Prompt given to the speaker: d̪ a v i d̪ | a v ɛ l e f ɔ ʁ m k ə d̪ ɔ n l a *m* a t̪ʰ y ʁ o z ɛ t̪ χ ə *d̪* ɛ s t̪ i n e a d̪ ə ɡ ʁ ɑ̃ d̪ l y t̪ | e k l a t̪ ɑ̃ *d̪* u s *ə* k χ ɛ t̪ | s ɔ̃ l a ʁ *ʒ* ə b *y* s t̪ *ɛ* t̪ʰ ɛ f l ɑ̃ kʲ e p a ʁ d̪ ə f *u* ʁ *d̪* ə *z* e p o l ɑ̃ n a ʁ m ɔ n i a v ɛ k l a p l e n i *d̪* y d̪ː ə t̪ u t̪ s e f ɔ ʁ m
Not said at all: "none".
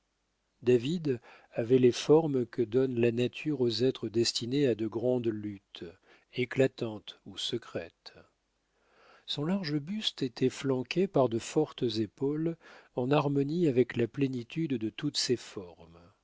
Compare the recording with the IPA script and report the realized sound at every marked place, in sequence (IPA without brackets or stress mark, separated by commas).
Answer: n, d̪, t̪, ə, ʒ, y, e, ɔ, t̪, z, t̪